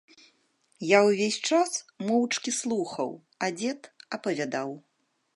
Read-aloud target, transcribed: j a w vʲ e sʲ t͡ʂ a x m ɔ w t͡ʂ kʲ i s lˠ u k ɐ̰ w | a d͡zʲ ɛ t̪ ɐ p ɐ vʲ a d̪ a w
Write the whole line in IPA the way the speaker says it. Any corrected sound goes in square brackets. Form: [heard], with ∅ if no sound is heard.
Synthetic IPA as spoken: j a w vʲ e sʲ t͡ʂ a [s] m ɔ w t͡ʂ kʲ i s lˠ u [x] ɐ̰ w | a d͡zʲ ɛ t̪ ɐ p ɐ vʲ a d̪ a w